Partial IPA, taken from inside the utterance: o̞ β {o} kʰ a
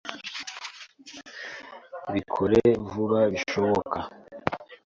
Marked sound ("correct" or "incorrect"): correct